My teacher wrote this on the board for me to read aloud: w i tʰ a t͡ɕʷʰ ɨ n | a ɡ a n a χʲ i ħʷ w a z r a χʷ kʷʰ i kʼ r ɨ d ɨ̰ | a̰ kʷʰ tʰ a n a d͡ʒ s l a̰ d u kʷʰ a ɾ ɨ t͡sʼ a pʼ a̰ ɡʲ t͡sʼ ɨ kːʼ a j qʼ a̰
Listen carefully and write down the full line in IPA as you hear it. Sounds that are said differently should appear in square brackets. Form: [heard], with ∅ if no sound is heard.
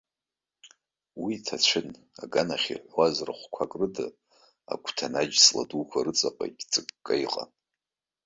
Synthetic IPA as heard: w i tʰ a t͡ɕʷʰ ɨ n | a ɡ a n a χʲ i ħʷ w a z r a χʷ kʷʰ [a] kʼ r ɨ d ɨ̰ | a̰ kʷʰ tʰ a n a d͡ʒ s l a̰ d u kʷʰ a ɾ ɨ t͡sʼ a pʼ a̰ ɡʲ t͡sʼ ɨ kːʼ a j qʼ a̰

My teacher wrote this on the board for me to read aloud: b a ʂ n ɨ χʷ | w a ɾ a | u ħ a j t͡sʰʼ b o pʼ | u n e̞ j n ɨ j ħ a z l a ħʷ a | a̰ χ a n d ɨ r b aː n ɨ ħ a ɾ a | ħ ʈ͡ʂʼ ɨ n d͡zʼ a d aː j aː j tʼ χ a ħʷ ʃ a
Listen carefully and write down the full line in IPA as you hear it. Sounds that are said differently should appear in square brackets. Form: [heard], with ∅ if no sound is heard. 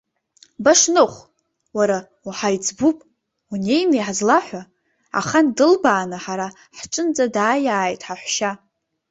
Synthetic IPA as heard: b a ʂ n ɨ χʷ | w a ɾ a | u ħ a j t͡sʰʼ b [u] pʼ | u n e̞ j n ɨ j ħ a z l a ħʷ a | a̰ χ a n d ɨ [l] b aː n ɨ ħ a ɾ a | ħ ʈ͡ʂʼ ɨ n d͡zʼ a d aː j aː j tʼ [ħ] a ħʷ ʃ a

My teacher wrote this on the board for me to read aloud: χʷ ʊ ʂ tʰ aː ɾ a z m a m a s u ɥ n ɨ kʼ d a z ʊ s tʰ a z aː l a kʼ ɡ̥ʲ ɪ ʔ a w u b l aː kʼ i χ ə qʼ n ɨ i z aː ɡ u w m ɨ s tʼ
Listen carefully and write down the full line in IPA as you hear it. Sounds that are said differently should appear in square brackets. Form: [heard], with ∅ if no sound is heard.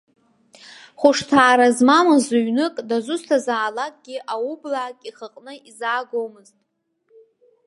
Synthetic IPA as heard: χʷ ʊ ʂ tʰ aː ɾ a z m a m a [z] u ɥ n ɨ kʼ d a z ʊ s tʰ a z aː l a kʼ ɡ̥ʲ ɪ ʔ a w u b l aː kʼ i χ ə qʼ n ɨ i z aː ɡ [o] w m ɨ [z] tʼ

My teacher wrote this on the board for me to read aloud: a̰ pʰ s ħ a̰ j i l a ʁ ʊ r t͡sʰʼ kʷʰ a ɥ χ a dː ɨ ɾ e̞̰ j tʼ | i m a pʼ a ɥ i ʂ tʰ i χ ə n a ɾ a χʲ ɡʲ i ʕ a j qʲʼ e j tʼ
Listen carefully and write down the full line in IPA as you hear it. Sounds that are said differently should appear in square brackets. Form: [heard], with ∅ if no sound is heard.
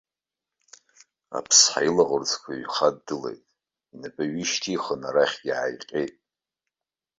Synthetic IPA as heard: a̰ pʰ s ħ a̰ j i l a ʁ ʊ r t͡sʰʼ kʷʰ a ɥ χ a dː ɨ [l] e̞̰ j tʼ | i [n] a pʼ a ɥ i [ʃ] tʰ i χ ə n a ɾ a χʲ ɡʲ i ʕ a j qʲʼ e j tʼ

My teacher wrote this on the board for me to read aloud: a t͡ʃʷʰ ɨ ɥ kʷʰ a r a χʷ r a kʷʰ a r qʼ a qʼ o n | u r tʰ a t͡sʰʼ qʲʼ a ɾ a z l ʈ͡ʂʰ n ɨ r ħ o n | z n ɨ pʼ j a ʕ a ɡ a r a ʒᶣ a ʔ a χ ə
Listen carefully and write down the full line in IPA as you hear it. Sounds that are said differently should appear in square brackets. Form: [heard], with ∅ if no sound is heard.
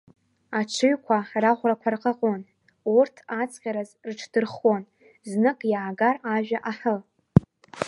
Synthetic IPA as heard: a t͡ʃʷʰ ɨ ɥ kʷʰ a r a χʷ r a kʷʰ a r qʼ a qʼ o n | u r tʰ a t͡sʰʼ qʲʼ a ɾ a z [r] ʈ͡ʂʰ [d] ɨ r [χ] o n | z n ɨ [kʼ] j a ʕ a ɡ a r a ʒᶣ a ʔ a [ħ] ə

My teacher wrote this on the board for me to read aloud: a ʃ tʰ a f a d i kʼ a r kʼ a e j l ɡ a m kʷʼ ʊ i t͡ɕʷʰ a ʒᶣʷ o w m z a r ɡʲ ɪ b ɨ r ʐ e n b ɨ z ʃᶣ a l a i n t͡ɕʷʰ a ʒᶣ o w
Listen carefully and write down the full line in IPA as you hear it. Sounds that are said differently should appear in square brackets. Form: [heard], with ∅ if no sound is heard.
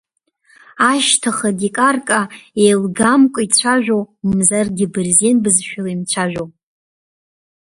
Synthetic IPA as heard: a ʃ tʰ a [χ] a d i kʼ a r kʼ a e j l ɡ a m kʷʼ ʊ i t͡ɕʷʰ a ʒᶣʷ o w m z a r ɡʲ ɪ b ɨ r [z] e n b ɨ z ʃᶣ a l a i [m] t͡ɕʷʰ a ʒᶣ o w

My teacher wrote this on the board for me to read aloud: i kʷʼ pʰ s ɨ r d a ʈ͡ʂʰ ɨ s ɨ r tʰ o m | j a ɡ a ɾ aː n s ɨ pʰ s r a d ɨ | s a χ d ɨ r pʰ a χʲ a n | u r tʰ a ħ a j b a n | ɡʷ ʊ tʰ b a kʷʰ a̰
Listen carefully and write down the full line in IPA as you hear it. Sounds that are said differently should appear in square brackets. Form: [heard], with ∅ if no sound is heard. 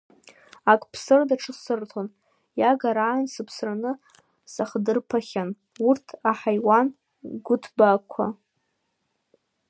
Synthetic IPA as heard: [a] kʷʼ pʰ s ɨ r d a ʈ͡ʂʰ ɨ s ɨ r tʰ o [n] | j a ɡ a ɾ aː n s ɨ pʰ s r a [n] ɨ | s a χ d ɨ r pʰ a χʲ a n | u r tʰ a ħ a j [w] a n | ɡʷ ʊ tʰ b a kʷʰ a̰

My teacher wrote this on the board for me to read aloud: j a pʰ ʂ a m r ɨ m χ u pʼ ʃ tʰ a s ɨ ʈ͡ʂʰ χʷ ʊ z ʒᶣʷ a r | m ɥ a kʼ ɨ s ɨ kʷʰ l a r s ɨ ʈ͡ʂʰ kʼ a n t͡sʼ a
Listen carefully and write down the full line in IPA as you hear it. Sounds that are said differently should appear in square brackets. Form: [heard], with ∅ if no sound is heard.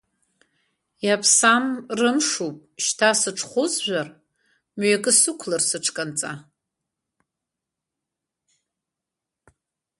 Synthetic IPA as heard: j a pʰ [s] a m r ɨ m [ʂ] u pʼ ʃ tʰ a s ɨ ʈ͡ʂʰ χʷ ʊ z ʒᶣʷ a r | m ɥ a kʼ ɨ s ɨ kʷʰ l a r s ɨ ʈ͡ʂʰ kʼ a n t͡sʼ a

